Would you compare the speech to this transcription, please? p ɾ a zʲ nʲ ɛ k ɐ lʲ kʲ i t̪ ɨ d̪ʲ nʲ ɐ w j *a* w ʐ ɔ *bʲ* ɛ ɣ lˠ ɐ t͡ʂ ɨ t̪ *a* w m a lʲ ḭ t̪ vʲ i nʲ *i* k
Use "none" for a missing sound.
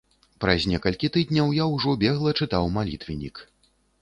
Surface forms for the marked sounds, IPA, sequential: a, bʲ, a, i

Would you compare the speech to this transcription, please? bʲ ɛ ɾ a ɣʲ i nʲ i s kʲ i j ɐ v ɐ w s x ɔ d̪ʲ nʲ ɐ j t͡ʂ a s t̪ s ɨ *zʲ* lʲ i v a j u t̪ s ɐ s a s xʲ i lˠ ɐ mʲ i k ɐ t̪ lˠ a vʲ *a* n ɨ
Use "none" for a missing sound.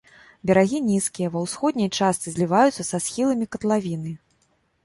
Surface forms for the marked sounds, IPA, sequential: zʲ, i

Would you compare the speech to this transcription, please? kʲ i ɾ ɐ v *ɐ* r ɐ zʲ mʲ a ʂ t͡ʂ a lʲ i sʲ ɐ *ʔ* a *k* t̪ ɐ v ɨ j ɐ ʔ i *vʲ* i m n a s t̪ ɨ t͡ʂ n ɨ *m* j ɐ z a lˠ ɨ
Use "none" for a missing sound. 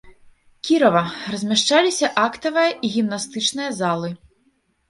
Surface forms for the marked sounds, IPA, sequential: ɐ, ʔ, k, ɣʲ, none

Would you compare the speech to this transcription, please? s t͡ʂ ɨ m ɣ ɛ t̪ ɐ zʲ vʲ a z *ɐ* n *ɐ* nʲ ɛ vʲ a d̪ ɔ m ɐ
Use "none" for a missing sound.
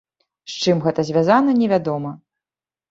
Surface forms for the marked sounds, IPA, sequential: a, ɐ

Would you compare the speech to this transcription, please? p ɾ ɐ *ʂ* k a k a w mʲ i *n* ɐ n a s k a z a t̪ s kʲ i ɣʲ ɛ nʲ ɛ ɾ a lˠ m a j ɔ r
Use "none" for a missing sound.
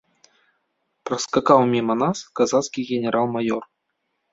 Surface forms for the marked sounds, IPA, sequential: s, m

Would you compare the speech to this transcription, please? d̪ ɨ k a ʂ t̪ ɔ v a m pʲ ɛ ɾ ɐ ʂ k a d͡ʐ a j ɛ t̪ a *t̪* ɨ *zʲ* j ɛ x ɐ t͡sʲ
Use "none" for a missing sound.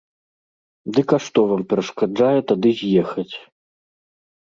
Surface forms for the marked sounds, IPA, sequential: d̪, zʲ

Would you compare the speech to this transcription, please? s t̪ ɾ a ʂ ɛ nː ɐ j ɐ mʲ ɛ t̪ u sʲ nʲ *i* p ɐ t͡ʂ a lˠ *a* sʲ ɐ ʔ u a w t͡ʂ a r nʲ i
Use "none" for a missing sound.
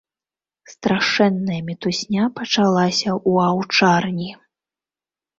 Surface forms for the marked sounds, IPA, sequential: a, a

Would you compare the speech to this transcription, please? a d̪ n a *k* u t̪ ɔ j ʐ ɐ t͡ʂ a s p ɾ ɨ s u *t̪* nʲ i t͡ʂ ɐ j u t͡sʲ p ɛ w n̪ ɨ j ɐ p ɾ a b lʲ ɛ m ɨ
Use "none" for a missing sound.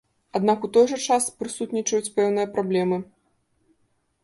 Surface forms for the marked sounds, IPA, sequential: k, t̪

